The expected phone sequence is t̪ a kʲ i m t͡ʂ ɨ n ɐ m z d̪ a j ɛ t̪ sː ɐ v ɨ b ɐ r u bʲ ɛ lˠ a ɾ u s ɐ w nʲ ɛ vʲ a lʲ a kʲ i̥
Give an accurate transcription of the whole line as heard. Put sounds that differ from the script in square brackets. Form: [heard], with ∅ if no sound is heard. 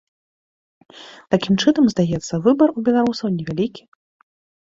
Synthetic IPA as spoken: t̪ a kʲ i m t͡ʂ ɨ n ɐ m z d̪ a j ɛ t̪ sː ɐ v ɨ b ɐ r u bʲ ɛ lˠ a ɾ u s ɐ w nʲ ɛ vʲ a lʲ [i] kʲ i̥